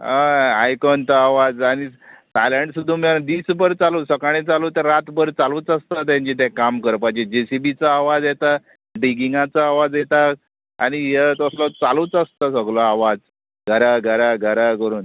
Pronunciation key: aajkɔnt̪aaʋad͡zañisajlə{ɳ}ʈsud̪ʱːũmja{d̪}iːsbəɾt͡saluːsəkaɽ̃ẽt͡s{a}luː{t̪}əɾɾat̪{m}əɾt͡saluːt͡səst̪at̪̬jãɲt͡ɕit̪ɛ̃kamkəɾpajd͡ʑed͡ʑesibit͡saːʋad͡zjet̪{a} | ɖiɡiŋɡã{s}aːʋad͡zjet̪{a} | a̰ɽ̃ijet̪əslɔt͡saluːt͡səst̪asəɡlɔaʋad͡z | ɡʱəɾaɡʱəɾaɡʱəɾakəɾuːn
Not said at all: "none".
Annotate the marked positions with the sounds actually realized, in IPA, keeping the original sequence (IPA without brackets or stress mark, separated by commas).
ɳ, d̪, a, t̪, b, a, t͡s, a